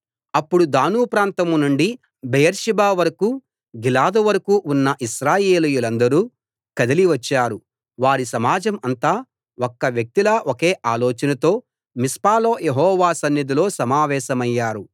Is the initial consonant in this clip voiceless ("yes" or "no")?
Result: yes